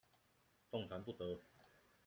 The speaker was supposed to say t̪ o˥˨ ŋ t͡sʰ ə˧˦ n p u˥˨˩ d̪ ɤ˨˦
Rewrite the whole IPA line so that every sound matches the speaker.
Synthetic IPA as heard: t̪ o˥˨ ŋ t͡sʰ a˧˦ n p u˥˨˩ t̪ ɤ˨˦